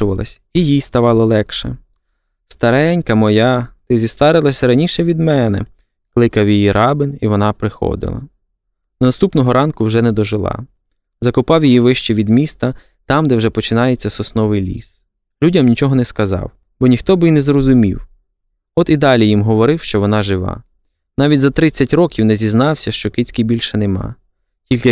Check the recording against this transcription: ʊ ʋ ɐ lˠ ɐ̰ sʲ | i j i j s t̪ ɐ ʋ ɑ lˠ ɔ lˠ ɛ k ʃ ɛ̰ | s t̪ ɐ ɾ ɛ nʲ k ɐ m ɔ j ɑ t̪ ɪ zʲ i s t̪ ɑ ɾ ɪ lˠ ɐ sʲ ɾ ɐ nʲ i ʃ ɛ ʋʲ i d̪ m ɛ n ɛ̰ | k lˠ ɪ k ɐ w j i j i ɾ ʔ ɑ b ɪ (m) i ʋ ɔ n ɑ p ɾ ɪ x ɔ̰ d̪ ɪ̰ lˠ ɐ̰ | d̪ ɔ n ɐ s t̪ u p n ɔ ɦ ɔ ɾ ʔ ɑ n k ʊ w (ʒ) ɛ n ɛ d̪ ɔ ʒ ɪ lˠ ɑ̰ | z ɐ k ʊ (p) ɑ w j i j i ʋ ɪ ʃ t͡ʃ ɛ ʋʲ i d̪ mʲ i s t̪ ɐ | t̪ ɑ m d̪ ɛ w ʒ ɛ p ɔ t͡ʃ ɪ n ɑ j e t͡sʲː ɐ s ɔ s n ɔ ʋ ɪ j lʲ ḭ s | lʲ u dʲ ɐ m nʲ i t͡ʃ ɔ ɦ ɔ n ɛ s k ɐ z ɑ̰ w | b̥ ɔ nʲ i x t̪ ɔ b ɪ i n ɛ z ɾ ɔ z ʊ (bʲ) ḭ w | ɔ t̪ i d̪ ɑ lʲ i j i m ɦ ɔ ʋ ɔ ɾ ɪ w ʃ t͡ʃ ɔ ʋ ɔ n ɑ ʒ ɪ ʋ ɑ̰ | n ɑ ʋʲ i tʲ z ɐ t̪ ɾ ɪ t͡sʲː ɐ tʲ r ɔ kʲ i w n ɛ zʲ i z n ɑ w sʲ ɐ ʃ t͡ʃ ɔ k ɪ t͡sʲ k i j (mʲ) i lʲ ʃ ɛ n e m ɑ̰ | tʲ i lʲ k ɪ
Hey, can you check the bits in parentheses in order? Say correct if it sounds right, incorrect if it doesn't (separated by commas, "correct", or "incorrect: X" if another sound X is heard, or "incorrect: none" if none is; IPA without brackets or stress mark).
incorrect: n, correct, correct, incorrect: mʲ, incorrect: bʲ